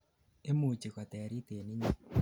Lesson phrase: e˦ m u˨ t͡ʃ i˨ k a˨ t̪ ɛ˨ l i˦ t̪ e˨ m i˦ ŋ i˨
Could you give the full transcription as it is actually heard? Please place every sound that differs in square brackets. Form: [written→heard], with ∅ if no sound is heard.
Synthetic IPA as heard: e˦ m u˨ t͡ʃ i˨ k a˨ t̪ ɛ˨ [l→ɾ] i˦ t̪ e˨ [m→n] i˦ [ŋ→ɲ] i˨